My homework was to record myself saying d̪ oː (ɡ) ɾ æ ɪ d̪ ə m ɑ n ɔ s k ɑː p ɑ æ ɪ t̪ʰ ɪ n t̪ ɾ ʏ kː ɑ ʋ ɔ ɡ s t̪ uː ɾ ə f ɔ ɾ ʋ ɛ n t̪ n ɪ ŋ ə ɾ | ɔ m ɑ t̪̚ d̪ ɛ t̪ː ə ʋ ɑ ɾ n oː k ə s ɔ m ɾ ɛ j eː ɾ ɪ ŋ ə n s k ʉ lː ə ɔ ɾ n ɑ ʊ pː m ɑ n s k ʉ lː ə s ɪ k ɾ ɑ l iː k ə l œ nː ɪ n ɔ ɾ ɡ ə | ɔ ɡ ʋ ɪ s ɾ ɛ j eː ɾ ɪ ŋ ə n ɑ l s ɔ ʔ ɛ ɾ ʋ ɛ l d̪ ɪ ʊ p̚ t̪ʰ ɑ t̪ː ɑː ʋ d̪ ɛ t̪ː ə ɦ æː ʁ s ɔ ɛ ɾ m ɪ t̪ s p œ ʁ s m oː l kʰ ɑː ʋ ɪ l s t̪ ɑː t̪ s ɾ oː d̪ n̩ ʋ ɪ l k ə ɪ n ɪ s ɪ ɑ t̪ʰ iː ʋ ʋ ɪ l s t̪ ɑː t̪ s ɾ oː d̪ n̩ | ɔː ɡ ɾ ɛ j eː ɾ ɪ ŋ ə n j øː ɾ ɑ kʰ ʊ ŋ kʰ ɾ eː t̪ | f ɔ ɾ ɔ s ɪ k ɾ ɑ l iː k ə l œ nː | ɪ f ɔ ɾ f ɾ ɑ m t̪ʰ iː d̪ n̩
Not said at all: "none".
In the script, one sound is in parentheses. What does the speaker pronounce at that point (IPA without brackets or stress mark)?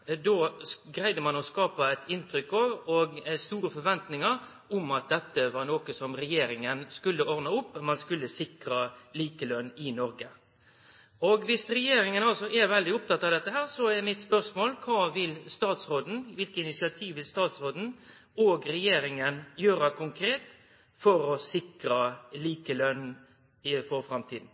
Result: ɡ